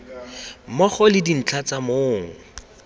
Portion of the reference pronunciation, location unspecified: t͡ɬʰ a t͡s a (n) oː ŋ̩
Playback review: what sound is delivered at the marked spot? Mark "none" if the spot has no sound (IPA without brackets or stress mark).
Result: m